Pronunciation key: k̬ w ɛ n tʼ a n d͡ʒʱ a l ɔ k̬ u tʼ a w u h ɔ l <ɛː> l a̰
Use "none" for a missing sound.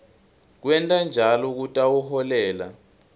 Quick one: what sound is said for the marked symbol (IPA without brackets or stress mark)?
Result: ɛː